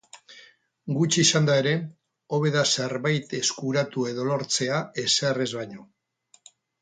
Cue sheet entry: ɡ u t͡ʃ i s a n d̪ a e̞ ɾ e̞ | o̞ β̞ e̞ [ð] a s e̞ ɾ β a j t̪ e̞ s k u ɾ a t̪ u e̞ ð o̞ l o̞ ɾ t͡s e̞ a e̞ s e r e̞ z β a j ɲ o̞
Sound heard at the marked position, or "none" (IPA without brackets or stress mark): ð